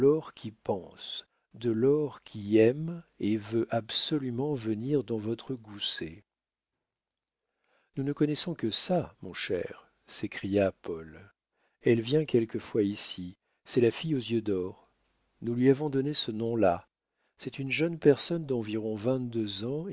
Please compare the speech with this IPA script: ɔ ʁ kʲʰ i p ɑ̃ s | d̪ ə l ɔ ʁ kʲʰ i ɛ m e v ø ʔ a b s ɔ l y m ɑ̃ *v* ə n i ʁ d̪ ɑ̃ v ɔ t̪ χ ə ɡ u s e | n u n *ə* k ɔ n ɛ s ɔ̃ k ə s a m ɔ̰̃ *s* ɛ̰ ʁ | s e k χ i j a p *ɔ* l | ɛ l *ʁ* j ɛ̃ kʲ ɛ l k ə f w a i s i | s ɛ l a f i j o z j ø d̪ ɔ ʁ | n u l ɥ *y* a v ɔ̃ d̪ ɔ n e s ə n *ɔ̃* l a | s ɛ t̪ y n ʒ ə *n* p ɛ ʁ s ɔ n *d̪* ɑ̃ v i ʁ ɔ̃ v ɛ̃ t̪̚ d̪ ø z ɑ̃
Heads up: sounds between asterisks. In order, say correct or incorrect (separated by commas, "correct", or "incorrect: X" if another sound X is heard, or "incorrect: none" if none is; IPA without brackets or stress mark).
correct, correct, incorrect: ʃ, correct, incorrect: v, incorrect: i, correct, correct, correct